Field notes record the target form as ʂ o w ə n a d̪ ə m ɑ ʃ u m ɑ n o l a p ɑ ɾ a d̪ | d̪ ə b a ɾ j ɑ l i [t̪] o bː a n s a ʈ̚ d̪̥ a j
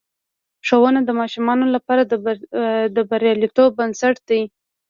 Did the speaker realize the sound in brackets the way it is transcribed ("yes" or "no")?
yes